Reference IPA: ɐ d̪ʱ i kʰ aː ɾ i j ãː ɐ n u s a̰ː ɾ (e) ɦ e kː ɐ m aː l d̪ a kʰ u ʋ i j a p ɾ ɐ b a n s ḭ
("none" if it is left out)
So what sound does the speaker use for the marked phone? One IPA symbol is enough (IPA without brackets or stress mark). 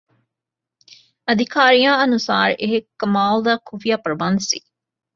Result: e